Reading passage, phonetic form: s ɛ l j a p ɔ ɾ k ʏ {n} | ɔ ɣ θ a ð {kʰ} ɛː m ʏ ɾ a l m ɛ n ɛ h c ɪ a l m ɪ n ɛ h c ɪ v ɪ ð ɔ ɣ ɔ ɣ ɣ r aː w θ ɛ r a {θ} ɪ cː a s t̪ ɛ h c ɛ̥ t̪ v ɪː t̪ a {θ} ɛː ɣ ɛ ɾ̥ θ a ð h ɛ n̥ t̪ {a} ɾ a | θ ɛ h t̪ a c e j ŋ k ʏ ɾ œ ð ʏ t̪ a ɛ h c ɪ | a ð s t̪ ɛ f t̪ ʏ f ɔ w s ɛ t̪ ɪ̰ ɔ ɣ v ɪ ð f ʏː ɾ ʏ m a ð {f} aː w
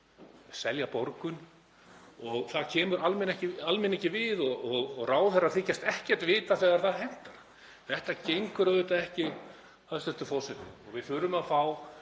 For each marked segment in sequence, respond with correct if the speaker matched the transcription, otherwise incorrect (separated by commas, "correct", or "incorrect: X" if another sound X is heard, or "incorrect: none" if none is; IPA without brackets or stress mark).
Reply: correct, incorrect: cʰ, correct, correct, correct, correct